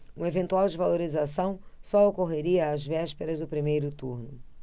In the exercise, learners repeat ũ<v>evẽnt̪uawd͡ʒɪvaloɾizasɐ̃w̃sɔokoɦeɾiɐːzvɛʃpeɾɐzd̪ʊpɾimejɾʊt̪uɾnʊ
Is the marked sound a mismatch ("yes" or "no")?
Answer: yes